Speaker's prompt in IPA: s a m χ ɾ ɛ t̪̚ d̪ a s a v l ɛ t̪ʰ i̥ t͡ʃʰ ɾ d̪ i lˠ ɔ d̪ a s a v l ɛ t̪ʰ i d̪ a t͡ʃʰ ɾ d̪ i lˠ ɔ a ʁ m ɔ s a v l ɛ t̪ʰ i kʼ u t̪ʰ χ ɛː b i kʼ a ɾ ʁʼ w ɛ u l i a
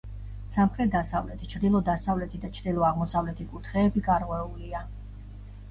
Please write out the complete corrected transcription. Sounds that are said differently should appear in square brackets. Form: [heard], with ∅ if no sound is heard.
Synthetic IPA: s a m χ ɾ ɛ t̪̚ d̪ a s a v l ɛ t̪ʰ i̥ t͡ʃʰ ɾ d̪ i lˠ ɔ d̪ a s a v l ɛ t̪ʰ i d̪ a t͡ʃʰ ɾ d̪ i lˠ ɔ a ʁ m ɔ s a v l ɛ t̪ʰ i kʼ u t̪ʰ χ ɛː b i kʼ a ɾ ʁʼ w ɛ u l i a